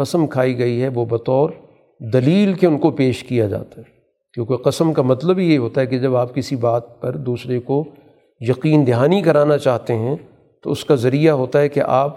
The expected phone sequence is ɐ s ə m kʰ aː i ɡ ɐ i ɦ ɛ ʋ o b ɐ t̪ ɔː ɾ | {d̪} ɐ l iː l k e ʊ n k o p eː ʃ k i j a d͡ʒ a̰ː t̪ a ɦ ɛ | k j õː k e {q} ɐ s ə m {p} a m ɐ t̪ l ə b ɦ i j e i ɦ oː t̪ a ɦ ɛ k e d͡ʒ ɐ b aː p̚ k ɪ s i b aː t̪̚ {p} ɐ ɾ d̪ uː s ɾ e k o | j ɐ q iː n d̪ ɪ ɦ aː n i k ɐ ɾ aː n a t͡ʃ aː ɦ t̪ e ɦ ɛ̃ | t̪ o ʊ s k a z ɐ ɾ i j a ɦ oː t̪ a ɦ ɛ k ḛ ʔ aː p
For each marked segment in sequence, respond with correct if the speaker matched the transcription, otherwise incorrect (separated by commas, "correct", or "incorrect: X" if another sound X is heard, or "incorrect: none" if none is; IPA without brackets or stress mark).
correct, correct, incorrect: k, correct